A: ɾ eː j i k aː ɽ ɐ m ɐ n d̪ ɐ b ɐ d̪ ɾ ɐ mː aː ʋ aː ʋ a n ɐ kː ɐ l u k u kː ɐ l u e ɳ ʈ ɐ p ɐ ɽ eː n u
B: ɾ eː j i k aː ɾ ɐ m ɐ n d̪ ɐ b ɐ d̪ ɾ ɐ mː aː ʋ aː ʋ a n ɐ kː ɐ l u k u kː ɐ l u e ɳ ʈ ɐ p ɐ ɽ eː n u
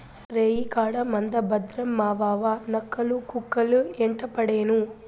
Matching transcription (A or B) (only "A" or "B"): A